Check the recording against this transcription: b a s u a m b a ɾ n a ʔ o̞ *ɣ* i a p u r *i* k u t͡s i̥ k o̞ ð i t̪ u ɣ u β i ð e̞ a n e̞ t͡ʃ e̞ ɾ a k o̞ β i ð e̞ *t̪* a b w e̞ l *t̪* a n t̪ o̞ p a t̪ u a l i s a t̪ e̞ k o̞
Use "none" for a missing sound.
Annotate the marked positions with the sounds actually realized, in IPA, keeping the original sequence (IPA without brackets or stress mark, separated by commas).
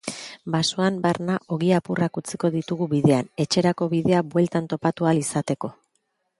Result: ɣ, a, none, t̪